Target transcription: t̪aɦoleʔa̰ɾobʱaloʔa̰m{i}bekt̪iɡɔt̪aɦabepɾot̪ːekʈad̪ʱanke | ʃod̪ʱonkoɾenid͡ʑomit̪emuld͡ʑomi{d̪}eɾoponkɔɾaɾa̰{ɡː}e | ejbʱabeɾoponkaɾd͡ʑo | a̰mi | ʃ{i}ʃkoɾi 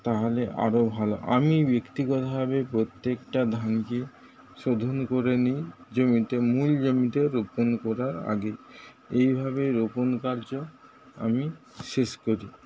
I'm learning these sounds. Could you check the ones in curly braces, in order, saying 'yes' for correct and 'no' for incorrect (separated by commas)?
yes, no, no, no